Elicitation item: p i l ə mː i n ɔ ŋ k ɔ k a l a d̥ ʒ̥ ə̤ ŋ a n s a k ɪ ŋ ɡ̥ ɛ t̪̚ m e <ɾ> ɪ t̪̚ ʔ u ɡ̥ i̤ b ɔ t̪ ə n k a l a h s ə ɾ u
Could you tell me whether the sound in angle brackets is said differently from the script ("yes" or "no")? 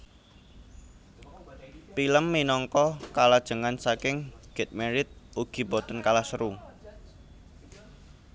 no